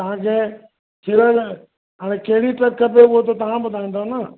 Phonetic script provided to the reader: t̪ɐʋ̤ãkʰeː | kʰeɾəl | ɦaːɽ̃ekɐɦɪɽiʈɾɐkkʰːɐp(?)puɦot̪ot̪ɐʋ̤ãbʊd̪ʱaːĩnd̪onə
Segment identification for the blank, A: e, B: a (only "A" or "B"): A